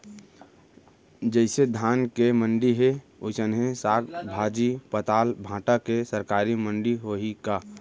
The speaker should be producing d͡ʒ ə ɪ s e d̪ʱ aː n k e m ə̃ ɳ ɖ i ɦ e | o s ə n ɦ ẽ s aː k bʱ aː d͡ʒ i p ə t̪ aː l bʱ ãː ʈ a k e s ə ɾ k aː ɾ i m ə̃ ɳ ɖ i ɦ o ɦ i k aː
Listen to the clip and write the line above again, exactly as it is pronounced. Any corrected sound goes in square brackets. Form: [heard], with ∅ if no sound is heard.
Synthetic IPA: d͡ʒ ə ɪ s e d̪ʱ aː n k e m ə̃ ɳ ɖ i ɦ e | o s ə n ɦ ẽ s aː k bʱ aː d͡ʒ i p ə t̪ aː l bʱ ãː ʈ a k e s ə ɾ k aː ɾ i m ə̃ ɳ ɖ i ɦ o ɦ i k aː